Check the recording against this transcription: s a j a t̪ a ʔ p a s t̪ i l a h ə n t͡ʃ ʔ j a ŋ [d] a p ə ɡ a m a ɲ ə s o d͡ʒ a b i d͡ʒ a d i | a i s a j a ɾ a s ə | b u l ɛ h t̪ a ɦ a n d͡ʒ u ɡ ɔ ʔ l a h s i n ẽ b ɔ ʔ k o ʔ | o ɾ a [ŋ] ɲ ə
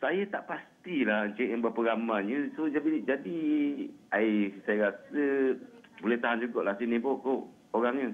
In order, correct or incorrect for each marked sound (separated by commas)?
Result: incorrect, correct